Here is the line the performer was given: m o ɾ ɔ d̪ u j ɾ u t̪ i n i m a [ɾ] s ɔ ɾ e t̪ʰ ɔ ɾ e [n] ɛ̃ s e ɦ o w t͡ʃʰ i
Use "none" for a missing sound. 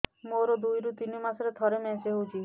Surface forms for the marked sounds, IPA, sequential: none, m

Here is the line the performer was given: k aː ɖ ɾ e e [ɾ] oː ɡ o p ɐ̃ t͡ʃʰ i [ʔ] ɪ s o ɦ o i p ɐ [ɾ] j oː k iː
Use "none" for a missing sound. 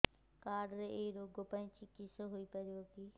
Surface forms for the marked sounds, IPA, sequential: ɾ, k, ɾ

